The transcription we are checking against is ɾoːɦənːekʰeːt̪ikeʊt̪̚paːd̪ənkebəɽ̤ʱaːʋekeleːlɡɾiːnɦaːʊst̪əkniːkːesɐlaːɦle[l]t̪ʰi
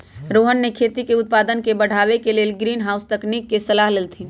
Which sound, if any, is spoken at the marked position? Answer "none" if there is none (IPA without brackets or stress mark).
l